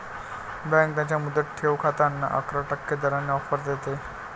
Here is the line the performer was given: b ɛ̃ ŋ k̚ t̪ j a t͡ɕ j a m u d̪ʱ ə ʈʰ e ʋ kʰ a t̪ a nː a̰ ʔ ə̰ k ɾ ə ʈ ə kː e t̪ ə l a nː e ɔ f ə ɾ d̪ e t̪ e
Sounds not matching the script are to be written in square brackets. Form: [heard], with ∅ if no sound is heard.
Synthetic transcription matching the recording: b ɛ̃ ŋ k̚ t̪ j a t͡ɕ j a m u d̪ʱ ə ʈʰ e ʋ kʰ a t̪ a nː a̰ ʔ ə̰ k ɾ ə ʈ ə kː e [d̪] ə [ɾ] a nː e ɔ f ə ɾ d̪ e t̪ e

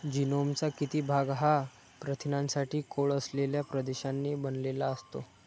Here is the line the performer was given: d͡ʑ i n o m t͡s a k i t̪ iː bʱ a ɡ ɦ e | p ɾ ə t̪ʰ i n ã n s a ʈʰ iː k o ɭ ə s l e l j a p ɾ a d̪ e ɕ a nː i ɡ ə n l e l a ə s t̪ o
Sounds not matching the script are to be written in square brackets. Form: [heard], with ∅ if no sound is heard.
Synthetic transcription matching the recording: d͡ʑ i n o m t͡s a k i t̪ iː bʱ a ɡ ɦ [a] | p ɾ ə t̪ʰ i n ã n s a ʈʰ iː k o ɭ ə s l e l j a p ɾ [ə] d̪ e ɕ a nː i [b] ə n l e l a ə s t̪ o

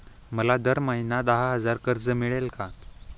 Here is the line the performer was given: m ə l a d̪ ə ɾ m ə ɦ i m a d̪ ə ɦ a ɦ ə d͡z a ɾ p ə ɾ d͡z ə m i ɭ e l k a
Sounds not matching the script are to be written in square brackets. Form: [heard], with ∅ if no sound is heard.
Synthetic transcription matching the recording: m ə l a d̪ ə ɾ m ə ɦ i [n] a d̪ ə ɦ a ɦ ə d͡z a ɾ [k] ə ɾ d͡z ə m i ɭ e l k a

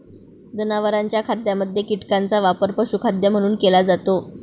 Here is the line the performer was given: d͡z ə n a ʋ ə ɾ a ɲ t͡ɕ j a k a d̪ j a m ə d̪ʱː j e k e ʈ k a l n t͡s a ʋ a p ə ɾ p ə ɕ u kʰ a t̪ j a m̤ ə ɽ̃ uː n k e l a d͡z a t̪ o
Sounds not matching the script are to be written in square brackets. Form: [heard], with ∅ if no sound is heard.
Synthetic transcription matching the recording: d͡z ə n a ʋ ə ɾ a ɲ t͡ɕ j a [kʰ] a d̪ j a m ə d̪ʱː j e k [i] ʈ k a [∅] n t͡s a ʋ a p ə ɾ p ə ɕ u kʰ a [d̪] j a m̤ ə ɽ̃ uː n k e l a d͡z a t̪ o

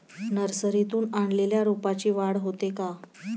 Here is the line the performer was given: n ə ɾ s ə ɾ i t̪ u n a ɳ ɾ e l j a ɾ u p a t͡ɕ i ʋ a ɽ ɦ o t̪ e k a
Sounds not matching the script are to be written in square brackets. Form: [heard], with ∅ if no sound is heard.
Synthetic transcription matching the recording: n ə ɾ s ə ɾ i t̪ [uː] n a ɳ [l] e l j a ɾ u p a t͡ɕ [iː] ʋ a ɽ ɦ o t̪ e k a

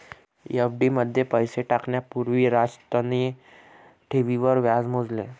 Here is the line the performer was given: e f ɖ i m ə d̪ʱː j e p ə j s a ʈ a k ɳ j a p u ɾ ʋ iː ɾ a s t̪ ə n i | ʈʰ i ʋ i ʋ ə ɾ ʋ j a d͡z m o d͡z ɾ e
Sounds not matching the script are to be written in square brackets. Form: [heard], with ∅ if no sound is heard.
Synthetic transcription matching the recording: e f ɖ i m ə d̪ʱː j e p ə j s [e] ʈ a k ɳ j a p u ɾ ʋ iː ɾ a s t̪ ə n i | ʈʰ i ʋ i ʋ ə ɾ ʋ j a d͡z m o d͡z [l] e

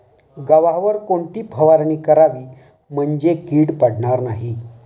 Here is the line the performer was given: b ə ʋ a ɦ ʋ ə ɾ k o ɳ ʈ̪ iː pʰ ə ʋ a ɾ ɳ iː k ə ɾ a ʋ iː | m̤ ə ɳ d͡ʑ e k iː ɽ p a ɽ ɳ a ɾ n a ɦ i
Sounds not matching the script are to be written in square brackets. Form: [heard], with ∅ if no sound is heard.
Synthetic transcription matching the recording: [ɡ] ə ʋ a ɦ ʋ ə ɾ k o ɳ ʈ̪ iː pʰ ə ʋ a ɾ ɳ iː k ə ɾ a ʋ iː | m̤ ə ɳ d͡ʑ e k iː ɽ p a ɽ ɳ a ɾ n a ɦ i

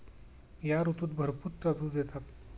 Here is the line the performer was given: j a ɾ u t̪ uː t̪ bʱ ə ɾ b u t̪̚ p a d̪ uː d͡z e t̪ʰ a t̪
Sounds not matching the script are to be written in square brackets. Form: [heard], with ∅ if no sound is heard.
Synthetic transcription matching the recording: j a ɾ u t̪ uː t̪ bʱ ə ɾ [p] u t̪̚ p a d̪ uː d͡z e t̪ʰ a t̪

